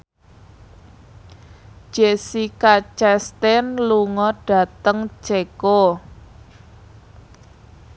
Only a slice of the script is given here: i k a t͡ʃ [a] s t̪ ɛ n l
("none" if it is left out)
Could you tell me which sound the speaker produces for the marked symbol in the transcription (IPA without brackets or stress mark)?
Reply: ɛ